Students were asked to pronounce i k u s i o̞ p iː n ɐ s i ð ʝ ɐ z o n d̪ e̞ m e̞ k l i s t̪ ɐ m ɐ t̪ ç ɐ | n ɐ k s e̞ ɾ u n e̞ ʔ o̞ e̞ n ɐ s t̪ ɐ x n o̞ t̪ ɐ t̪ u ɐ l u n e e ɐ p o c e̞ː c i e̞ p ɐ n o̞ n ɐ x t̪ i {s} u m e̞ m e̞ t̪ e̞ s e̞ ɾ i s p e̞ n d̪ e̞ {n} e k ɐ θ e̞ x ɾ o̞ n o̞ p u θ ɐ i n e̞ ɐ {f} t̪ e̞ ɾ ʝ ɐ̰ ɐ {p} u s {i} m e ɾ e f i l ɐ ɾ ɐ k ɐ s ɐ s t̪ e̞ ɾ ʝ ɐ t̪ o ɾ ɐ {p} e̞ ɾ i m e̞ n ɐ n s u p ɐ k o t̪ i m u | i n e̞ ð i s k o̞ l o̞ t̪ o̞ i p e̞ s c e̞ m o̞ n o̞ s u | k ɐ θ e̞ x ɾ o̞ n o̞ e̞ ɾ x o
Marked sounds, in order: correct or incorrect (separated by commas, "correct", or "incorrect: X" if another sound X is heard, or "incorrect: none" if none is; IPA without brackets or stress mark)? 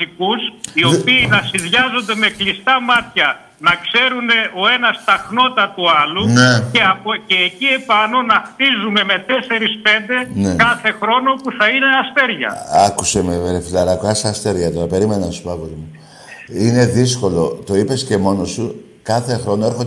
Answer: incorrect: z, correct, incorrect: s, incorrect: k, incorrect: e, correct